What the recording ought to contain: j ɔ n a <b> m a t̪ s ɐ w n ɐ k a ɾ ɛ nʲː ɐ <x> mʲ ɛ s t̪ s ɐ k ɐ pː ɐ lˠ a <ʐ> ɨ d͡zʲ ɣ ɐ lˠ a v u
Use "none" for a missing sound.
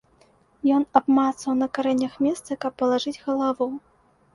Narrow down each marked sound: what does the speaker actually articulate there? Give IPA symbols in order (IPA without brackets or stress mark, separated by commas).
b, x, ʐ